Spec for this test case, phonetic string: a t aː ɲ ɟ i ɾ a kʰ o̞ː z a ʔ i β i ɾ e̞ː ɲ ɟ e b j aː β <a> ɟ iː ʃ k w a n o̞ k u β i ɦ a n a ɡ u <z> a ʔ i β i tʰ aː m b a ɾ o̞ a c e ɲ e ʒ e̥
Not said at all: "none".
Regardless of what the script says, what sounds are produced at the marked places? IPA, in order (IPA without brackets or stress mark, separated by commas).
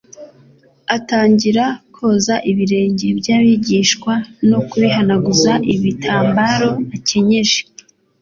i, z